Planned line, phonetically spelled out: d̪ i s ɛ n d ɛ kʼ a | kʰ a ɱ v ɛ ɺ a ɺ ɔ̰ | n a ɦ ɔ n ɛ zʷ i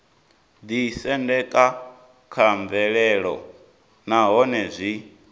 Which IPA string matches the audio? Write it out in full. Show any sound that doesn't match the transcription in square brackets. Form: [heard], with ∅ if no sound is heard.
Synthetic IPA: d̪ i s ɛ n d ɛ kʼ a | kʰ a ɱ v ɛ ɺ [ɛ] ɺ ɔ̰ | n a ɦ ɔ n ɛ zʷ i